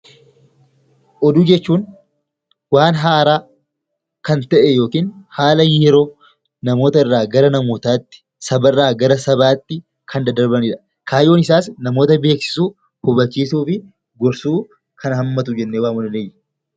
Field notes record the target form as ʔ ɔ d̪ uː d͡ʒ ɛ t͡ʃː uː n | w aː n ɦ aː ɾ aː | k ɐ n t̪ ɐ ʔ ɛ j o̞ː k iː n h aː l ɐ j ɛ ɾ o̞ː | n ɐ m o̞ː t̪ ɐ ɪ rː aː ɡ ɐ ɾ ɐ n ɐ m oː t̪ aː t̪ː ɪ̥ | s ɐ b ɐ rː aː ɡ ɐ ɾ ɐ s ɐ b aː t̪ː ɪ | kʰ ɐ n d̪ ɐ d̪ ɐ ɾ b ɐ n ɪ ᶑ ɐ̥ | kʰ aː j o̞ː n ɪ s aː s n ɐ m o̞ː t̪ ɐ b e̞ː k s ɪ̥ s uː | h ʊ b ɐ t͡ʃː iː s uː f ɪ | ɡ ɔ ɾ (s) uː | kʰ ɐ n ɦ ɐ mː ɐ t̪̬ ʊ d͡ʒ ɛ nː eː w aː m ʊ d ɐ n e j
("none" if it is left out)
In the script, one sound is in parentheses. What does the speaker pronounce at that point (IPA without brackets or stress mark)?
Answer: s